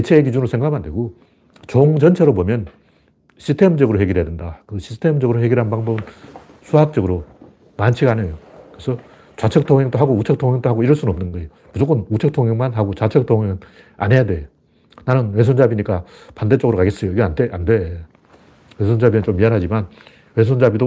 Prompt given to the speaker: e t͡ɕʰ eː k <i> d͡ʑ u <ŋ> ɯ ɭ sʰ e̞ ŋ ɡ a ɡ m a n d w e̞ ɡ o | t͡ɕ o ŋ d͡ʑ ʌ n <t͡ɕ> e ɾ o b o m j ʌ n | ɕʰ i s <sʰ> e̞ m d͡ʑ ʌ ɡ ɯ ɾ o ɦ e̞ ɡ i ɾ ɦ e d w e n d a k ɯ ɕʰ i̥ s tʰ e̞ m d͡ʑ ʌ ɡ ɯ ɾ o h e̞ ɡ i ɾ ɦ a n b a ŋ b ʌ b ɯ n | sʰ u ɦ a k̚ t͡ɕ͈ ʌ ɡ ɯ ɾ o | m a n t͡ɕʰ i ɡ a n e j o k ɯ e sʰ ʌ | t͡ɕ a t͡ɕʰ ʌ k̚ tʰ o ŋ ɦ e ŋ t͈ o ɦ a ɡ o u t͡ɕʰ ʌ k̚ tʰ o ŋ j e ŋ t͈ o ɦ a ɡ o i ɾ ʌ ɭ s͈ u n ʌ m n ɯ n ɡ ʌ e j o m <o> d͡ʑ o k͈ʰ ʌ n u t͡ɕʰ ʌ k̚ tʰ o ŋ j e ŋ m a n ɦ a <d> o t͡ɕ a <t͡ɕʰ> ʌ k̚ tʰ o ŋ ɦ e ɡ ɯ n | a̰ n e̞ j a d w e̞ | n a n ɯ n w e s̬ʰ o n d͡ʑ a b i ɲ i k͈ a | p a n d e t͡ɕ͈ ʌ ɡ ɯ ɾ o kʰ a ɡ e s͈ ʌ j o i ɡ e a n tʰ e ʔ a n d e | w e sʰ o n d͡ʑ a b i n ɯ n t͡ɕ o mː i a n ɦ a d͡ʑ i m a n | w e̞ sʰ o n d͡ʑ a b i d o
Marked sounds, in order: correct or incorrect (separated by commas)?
correct, incorrect, incorrect, incorrect, incorrect, incorrect, correct